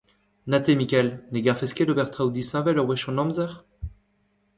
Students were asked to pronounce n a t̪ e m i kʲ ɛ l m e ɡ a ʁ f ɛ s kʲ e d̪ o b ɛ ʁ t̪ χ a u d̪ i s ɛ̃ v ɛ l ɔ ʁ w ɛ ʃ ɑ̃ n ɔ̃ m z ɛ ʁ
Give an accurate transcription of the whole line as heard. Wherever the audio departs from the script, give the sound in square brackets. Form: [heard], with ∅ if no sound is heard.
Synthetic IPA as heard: n a t̪ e m i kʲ ɛ l [n] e ɡ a ʁ f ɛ s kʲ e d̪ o b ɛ ʁ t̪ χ a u d̪ i s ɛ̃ v ɛ l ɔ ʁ w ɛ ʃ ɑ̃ n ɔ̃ m z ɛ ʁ